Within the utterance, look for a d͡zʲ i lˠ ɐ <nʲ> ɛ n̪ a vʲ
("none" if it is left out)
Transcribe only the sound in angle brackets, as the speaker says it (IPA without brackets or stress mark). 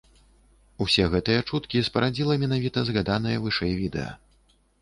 mʲ